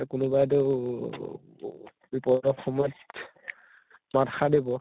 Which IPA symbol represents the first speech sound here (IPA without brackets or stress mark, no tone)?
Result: k